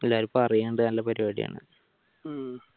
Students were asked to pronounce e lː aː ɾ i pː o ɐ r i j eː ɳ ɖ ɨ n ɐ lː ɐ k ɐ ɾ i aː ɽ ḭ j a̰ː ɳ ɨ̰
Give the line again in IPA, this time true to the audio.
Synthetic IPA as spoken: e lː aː ɾ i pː o ɐ r i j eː ɳ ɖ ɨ n ɐ lː ɐ p ɐ ɾ i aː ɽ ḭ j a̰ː ɳ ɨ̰